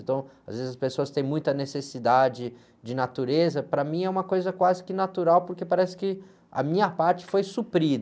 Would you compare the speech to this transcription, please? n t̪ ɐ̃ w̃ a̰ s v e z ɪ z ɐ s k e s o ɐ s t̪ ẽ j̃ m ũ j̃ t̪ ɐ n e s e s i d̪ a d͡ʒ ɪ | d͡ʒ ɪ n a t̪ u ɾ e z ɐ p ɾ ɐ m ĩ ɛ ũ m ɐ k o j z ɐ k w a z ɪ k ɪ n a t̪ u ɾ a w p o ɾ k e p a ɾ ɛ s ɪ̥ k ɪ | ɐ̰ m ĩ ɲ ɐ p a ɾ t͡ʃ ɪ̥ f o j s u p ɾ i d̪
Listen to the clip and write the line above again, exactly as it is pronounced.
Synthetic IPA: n t̪ ɐ̃ w̃ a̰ z v e z ɪ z ɐ s p e s o ɐ s t̪ ẽ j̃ m ũ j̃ t̪ ɐ n e s e s i d̪ a d͡ʒ ɪ | d͡ʒ ɪ n a t̪ u ɾ e z ɐ p ɾ ɐ m ĩ ɛ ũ m ɐ k o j z ɐ k w a z ɪ k ɪ n a t̪ u ɾ a w p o ɾ k e p a ɾ ɛ s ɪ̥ k ɪ | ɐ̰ m ĩ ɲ ɐ p a ɾ t͡ʃ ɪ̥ f o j s u p ɾ i d̪